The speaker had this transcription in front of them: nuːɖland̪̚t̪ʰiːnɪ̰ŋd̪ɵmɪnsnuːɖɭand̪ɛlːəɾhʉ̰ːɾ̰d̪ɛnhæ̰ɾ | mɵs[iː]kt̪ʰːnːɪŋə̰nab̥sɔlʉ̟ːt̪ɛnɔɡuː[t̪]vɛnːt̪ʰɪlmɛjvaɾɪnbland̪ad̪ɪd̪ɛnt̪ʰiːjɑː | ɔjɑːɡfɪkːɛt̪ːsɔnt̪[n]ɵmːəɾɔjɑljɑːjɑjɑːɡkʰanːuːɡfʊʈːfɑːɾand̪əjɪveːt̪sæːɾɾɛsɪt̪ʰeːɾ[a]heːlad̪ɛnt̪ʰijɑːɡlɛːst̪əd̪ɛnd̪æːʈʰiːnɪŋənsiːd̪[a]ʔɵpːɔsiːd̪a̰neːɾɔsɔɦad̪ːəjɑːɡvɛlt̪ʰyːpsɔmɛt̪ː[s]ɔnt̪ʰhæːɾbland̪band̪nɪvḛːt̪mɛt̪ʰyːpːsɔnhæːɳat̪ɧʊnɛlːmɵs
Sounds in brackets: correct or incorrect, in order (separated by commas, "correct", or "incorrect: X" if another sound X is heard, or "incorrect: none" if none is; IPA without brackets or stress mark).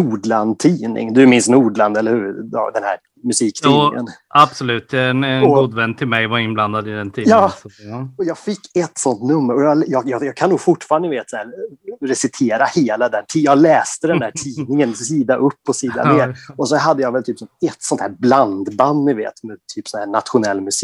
correct, incorrect: d̪, correct, correct, correct, correct